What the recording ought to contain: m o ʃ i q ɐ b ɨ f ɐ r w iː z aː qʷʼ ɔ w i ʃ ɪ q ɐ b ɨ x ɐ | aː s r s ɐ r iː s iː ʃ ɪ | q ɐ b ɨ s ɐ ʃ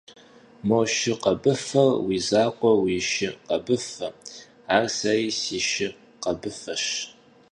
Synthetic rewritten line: m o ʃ ɪ q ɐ b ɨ f ɐ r w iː z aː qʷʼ ɔ w i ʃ ɪ q ɐ b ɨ f ɐ | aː r s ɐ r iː s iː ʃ ɪ | q ɐ b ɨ f ɐ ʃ